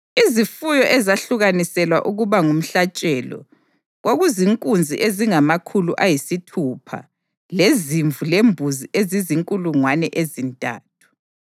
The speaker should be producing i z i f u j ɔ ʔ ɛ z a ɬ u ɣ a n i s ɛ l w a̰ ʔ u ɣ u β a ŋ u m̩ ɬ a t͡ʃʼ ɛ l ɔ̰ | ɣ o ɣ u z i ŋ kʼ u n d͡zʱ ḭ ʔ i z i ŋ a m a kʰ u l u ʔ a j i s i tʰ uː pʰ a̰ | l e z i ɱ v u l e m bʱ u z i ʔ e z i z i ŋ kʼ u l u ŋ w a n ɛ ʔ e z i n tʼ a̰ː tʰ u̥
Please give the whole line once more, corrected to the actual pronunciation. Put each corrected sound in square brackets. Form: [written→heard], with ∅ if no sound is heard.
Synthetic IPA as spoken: i z i f u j ɔ ʔ ɛ z a ɬ u ɣ a n i s ɛ l w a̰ ʔ u ɣ u β a ŋ u m̩ ɬ a t͡ʃʼ ɛ l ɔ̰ | ɣ o ɣ u z i ŋ kʼ u n d͡zʱ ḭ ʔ [i→e] z i ŋ a m a kʰ u l u ʔ a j i s i tʰ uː pʰ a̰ | l e z i ɱ v u l e m bʱ u z i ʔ e z i z i ŋ kʼ u l u ŋ w a n ɛ ʔ e z i n tʼ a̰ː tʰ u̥